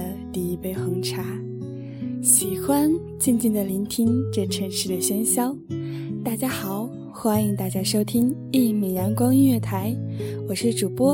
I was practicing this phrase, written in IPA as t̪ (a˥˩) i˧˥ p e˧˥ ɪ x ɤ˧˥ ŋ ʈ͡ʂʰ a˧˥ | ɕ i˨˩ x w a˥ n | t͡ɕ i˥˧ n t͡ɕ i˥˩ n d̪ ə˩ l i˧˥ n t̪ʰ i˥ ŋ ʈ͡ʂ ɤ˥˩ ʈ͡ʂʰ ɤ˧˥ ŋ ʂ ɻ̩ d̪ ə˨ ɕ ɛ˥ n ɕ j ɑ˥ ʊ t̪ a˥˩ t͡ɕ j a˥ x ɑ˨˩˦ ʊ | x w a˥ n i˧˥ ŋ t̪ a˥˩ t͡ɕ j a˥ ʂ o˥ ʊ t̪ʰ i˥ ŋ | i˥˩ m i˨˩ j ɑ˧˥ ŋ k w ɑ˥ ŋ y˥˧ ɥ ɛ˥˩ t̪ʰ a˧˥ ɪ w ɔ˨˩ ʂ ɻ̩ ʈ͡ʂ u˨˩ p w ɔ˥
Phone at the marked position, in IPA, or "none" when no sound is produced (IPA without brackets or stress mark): i˥˩